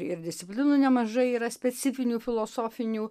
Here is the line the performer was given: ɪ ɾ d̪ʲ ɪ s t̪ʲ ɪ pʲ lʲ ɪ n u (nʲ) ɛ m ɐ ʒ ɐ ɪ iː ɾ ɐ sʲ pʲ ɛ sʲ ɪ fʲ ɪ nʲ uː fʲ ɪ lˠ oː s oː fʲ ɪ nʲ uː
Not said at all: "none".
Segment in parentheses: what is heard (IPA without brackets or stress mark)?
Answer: nʲ